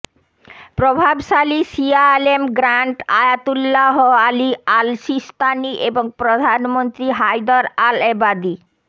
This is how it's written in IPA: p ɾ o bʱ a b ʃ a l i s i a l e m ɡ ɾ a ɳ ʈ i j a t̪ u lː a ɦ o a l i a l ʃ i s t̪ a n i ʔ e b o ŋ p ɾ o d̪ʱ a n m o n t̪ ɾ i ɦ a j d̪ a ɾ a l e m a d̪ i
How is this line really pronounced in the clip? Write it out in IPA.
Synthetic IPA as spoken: p ɾ o bʱ a b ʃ a l i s i a l e m ɡ ɾ a ɳ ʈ a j a t̪ u lː a ɦ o a l i a l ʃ i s t̪ a n i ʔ e b o ŋ p ɾ o d̪ʱ a n m o n t̪ ɾ i ɦ a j d̪ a ɾ a l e b a d̪ i